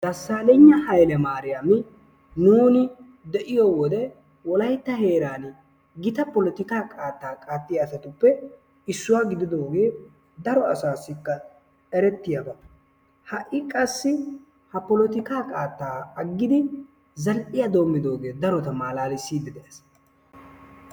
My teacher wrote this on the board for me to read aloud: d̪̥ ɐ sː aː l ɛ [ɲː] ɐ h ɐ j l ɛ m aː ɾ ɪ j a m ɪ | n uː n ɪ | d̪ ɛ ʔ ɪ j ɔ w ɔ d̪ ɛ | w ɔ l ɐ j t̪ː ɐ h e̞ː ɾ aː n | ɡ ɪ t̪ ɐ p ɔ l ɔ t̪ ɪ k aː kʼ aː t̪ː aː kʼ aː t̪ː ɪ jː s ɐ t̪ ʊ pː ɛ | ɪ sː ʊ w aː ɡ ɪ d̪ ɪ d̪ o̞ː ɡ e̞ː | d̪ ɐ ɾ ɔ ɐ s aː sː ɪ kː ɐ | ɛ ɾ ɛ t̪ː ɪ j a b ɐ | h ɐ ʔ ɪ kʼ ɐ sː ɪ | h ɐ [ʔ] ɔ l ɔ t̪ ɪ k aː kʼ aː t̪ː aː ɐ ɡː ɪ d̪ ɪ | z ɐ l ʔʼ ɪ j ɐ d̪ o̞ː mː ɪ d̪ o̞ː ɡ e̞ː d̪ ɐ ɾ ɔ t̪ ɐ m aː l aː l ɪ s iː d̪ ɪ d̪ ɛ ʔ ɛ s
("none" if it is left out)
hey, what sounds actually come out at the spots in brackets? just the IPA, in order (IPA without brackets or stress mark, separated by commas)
ɲː, p